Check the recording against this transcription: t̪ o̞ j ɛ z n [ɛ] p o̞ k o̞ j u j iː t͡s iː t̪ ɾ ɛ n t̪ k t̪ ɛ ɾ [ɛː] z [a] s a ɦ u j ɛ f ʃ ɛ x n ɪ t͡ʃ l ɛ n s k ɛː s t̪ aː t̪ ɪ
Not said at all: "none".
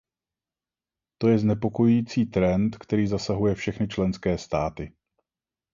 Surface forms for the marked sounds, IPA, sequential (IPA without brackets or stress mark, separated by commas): ɛ, iː, a